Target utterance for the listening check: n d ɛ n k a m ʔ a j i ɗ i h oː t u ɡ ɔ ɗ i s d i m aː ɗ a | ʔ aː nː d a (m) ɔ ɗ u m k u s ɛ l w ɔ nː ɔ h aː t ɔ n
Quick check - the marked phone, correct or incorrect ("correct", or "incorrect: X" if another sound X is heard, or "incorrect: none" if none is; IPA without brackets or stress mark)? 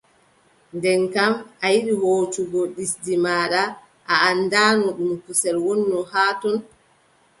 incorrect: n